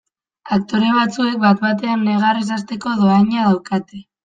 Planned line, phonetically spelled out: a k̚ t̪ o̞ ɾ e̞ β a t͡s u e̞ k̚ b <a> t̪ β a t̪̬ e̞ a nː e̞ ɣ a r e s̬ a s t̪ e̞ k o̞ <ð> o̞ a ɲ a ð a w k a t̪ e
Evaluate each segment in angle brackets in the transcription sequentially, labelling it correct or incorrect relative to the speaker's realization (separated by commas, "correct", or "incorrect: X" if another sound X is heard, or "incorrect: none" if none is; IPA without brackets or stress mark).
correct, correct